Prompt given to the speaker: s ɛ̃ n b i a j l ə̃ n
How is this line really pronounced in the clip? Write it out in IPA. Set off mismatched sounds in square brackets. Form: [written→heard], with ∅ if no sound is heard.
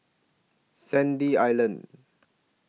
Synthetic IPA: s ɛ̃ n [b→d] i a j l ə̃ n

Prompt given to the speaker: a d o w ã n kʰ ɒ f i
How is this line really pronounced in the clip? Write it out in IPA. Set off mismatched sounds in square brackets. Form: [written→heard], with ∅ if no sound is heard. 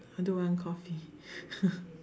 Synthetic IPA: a d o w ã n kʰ [ɒ→ɔ] f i

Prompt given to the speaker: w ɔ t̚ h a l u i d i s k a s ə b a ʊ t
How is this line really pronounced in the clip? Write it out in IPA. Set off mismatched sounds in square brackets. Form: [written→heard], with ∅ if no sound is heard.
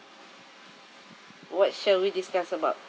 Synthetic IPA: w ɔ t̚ [h→ʃ] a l [u→w] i d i s k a s ə b a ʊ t

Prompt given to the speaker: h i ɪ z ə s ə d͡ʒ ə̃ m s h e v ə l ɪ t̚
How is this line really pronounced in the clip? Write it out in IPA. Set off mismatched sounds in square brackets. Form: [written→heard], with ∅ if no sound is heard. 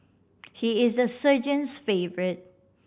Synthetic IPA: h i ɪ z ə s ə d͡ʒ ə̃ [m→n] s [h→f] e v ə [l→ɹ] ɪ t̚

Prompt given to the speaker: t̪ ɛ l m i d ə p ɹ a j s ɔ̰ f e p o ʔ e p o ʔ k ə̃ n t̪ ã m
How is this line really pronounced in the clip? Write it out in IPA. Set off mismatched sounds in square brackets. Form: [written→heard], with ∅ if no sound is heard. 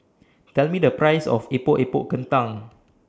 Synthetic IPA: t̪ ɛ l m i d ə p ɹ a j s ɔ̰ f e p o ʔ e p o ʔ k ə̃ n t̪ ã [m→ŋ]

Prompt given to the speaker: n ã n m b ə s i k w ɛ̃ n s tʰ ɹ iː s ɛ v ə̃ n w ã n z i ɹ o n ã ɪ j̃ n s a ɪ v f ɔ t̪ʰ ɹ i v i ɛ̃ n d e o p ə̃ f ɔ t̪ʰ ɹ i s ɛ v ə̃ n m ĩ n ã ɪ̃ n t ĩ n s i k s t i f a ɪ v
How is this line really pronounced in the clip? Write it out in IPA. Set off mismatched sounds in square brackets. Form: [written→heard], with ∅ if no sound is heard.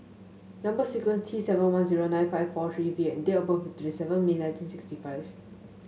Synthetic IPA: n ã [n→∅] m b ə s i k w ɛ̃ n s tʰ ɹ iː s ɛ v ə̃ n w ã n z i ɹ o n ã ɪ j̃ n [s→f] a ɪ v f ɔ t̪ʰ ɹ i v i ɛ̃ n d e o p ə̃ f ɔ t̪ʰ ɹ i s ɛ v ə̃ n m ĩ n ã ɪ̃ n t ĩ n s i k s t i f a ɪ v

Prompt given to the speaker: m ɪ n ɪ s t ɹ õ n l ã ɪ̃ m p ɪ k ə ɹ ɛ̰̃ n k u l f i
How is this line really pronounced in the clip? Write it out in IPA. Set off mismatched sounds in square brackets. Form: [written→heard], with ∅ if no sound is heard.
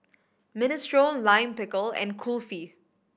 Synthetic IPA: m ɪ n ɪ s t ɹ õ n l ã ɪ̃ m p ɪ k ə [ɹ→l] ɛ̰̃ n [k→kʰ] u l f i

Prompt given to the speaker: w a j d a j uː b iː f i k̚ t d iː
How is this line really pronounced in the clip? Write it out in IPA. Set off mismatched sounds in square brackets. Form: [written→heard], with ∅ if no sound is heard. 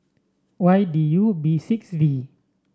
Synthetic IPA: w a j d [a→i] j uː b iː [f→s] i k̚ [t→s] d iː

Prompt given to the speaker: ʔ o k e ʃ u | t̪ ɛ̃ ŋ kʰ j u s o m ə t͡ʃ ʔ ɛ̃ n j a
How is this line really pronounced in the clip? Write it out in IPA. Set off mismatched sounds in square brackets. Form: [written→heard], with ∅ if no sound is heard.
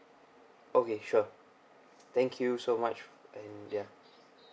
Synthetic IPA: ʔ o k e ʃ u | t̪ ɛ̃ ŋ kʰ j u s o m [ə→a] t͡ʃ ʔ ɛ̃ n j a

